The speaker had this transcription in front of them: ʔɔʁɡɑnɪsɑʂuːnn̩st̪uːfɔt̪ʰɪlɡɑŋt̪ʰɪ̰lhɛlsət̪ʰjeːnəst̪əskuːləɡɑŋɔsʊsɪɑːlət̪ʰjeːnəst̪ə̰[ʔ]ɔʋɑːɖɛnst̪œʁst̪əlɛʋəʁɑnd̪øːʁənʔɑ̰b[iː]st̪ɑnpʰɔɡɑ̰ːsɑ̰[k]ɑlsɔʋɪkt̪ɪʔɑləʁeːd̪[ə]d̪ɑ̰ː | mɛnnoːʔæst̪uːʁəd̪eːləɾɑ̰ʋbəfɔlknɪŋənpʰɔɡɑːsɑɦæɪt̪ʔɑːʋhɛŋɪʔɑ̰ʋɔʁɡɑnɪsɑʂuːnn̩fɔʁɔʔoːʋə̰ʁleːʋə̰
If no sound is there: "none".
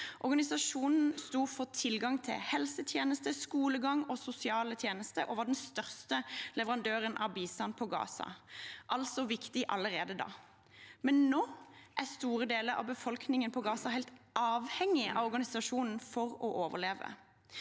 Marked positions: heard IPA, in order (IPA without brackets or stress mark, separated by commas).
ʔ, iː, ʔ, ə